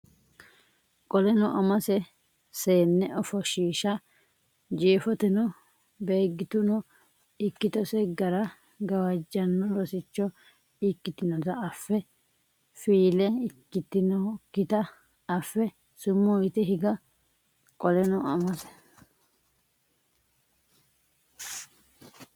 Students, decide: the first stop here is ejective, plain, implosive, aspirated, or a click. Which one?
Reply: ejective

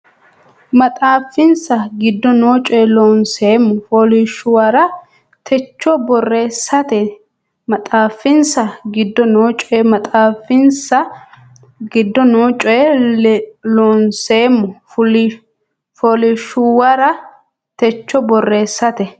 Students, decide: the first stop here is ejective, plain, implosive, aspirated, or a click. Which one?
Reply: ejective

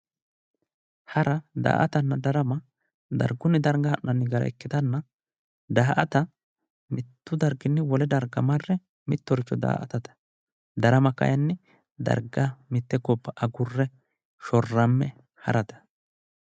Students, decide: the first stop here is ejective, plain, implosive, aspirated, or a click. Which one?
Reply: plain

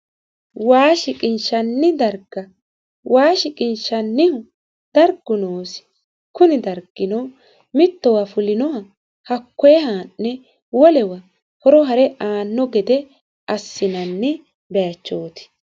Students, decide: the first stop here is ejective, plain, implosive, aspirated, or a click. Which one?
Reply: ejective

